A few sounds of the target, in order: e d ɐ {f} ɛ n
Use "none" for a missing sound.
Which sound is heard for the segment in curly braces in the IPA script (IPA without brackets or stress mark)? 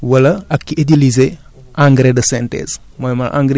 s